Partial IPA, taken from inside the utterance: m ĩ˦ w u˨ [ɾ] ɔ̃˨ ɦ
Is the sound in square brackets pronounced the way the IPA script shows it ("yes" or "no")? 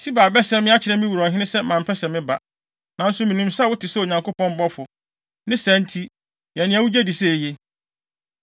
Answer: yes